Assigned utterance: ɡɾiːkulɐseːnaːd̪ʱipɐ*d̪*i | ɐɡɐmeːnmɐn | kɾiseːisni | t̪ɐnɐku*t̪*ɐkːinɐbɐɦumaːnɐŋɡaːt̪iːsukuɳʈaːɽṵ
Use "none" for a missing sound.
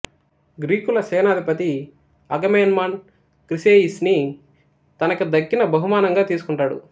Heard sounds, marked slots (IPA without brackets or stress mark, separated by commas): t̪, d̪